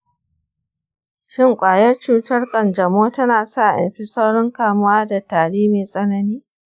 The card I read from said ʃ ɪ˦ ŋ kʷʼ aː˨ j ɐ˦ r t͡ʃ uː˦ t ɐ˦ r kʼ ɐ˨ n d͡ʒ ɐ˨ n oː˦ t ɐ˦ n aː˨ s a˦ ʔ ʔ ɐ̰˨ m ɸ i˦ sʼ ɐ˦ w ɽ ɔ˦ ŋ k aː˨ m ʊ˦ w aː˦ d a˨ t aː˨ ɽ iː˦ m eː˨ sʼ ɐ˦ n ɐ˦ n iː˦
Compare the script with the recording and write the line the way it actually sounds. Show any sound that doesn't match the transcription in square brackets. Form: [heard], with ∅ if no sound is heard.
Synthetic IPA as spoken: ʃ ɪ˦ ŋ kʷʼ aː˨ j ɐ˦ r t͡ʃ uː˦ t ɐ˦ r kʼ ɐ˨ n d͡ʒ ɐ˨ [m] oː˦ t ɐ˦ n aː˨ s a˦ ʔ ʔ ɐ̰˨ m ɸ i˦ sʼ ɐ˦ w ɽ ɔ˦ ŋ k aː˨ m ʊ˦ w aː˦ d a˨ t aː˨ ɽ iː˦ m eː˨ sʼ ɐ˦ n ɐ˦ n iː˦